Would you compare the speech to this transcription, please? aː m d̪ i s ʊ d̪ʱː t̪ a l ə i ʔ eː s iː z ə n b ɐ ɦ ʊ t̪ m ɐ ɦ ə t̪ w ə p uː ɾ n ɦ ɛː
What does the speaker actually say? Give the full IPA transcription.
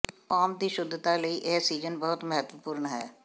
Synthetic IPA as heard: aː m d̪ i ʃ ʊ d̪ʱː t̪ a l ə i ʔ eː s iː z ə n b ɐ ɦ ʊ t̪ m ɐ ɦ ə t̪ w ə p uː ɾ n ɦ ɛː